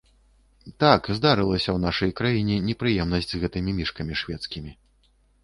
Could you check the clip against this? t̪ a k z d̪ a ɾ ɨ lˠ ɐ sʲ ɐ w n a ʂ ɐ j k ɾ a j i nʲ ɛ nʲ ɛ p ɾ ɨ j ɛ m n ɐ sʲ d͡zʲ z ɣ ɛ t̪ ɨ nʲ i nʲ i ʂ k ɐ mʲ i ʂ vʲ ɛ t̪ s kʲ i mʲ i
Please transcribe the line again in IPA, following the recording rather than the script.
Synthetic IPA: t̪ a k z d̪ a ɾ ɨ lˠ ɐ sʲ ɐ w n a ʂ ɐ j k ɾ a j i nʲ ɛ nʲ ɛ p ɾ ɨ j ɛ m n ɐ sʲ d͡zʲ z ɣ ɛ t̪ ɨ mʲ i mʲ i ʂ k ɐ mʲ i ʂ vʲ ɛ t̪ s kʲ i mʲ i